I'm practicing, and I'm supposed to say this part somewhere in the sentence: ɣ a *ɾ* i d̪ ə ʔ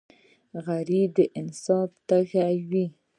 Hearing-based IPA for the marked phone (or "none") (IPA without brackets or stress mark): ɾ